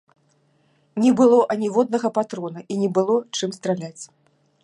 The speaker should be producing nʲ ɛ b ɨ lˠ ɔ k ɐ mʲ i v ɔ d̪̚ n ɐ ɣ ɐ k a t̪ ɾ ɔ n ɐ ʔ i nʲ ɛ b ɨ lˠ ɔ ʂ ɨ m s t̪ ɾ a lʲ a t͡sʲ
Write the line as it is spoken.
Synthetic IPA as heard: nʲ ɛ b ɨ lˠ ɔ ʔ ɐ nʲ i v ɔ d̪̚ n ɐ ɣ ɐ p a t̪ ɾ ɔ n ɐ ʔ i nʲ ɛ b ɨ lˠ ɔ t͡ʂ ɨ m s t̪ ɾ a lʲ a t͡sʲ